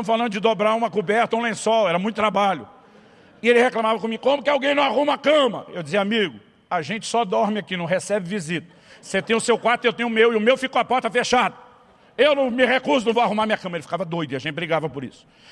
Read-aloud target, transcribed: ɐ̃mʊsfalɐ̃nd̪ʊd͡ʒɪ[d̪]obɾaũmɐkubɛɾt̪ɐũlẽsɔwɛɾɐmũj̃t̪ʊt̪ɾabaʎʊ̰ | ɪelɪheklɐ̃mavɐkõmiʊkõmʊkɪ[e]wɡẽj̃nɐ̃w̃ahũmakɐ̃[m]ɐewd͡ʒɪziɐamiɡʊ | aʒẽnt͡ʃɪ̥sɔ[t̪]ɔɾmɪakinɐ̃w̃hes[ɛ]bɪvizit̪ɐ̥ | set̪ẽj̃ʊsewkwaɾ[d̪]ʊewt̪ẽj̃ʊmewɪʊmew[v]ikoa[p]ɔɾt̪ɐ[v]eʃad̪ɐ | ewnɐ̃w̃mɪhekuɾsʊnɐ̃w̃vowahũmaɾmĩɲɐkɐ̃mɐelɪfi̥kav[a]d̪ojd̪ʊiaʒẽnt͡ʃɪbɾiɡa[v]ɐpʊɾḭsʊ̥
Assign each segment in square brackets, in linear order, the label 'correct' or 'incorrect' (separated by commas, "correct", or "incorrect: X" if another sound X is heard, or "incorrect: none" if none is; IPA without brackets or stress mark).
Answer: correct, incorrect: a, correct, incorrect: d̪, correct, incorrect: t̪, incorrect: f, correct, incorrect: f, incorrect: ɐ, correct